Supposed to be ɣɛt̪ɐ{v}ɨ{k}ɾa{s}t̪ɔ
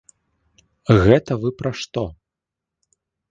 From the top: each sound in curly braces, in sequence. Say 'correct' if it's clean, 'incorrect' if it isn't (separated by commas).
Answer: correct, incorrect, incorrect